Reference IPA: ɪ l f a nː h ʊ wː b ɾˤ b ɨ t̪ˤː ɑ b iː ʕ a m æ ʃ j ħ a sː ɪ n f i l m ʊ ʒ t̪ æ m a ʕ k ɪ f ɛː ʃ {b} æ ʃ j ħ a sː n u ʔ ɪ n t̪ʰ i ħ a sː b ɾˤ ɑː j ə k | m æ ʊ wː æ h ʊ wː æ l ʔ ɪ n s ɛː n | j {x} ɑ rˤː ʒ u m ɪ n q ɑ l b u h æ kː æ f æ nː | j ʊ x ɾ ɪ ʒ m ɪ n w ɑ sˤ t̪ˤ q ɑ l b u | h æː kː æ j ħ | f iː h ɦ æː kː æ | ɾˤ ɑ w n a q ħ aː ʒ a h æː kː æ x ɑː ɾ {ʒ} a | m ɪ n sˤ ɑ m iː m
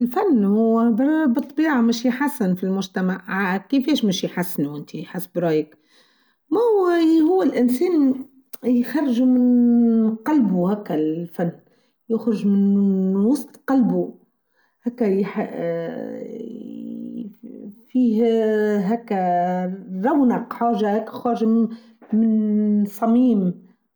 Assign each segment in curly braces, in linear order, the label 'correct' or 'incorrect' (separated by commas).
incorrect, correct, correct